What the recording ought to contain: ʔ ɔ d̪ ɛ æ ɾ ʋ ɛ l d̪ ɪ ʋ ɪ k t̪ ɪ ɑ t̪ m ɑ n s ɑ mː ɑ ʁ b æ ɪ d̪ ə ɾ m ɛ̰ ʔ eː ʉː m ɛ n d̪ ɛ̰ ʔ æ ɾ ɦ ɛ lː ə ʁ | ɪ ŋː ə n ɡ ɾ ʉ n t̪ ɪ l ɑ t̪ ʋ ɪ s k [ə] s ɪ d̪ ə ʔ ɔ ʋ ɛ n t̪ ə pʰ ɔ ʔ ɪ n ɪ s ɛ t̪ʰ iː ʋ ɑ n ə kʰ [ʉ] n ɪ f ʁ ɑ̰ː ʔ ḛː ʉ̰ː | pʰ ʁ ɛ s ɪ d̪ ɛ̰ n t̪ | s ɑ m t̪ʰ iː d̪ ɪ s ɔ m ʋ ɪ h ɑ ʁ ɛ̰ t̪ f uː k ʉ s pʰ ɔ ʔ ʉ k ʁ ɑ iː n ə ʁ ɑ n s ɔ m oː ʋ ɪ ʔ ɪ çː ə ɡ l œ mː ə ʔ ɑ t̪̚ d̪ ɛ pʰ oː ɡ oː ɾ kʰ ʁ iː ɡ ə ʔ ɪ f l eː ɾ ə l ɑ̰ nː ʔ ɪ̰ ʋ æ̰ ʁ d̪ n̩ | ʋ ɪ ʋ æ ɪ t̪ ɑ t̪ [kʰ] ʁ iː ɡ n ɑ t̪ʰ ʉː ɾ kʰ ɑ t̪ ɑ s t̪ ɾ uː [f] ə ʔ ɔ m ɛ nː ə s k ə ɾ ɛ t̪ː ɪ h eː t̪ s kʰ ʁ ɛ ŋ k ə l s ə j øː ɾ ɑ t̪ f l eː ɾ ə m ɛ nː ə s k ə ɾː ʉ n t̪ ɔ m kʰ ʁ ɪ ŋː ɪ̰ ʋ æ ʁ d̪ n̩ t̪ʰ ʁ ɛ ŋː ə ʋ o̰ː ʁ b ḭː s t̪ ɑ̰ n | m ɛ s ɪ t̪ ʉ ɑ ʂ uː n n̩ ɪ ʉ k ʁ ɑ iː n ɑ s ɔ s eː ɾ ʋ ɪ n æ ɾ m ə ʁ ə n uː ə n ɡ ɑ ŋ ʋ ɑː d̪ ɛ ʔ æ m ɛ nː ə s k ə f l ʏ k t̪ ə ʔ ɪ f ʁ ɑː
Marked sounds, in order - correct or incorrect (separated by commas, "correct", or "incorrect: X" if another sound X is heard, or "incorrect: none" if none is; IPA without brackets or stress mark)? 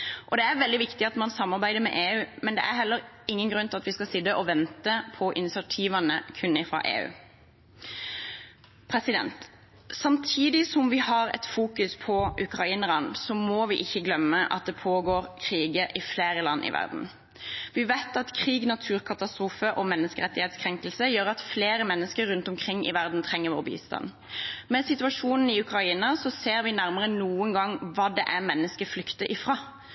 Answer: incorrect: ɑ, correct, correct, correct